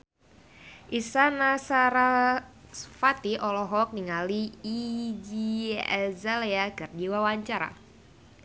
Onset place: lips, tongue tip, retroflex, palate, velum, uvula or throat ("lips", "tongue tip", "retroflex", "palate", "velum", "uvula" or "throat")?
throat